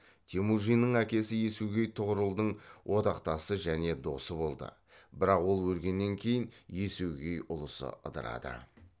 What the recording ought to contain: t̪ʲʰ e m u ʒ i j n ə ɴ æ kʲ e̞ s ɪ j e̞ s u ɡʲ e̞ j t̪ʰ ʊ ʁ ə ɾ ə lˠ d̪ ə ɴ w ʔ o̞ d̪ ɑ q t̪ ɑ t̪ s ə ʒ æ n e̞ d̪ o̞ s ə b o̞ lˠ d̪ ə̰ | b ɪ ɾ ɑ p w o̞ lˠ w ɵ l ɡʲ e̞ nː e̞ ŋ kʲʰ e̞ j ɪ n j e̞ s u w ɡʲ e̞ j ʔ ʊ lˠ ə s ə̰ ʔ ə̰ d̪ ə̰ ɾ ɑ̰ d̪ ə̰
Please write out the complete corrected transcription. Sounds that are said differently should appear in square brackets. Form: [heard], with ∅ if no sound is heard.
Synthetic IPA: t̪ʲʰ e m u ʒ i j n ə ɴ æ kʲ e̞ s ɪ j e̞ s u ɡʲ e̞ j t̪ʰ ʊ ʁ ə ɾ ə lˠ d̪ ə ɴ w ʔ o̞ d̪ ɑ q t̪ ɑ [∅] s ə ʒ æ n e̞ d̪ o̞ s ə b o̞ lˠ d̪ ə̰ | b ɪ ɾ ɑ [q] w o̞ lˠ w ɵ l ɡʲ e̞ nː e̞ ŋ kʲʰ e̞ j ɪ n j e̞ s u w ɡʲ e̞ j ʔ ʊ lˠ ə s ə̰ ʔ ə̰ d̪ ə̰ ɾ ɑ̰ d̪ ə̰